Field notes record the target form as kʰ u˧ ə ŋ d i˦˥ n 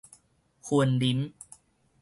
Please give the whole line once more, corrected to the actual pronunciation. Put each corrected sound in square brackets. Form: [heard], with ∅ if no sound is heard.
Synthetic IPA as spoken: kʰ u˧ ə [n] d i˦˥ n